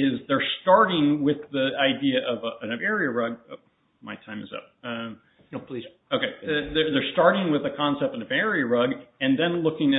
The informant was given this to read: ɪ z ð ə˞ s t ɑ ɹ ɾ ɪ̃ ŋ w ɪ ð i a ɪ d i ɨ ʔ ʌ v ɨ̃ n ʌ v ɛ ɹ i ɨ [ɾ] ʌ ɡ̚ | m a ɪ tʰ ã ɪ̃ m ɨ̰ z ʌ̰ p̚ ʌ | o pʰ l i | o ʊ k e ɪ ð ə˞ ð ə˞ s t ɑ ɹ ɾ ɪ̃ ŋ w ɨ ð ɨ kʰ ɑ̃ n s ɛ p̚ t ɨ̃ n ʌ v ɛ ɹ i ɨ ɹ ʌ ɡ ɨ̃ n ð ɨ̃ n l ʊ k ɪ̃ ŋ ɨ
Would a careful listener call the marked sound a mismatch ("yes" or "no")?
yes